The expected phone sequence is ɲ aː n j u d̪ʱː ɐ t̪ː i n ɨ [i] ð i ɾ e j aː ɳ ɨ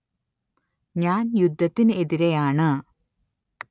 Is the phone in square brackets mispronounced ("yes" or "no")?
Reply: yes